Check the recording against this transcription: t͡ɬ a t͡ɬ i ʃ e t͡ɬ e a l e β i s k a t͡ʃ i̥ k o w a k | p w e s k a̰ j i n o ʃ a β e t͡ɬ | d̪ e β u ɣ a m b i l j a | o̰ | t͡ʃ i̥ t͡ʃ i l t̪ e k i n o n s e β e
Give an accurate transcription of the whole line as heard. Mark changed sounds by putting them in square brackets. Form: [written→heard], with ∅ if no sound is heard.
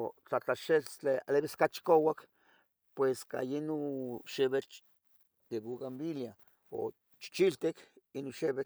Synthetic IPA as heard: t͡ɬ a t͡ɬ [i→a] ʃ e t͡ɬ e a l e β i s k a t͡ʃ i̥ k o w a k | p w e s k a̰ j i n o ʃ [a→e] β e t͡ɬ | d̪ e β u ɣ a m b i l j a | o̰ | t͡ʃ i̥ t͡ʃ i l t̪ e k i n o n [s→ʃ] e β e